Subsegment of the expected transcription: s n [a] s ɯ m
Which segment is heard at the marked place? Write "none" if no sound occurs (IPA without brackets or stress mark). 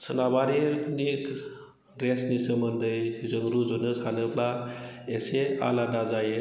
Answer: i